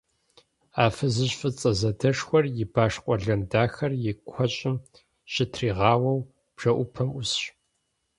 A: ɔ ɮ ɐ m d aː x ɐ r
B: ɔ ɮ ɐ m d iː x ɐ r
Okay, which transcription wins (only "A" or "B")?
A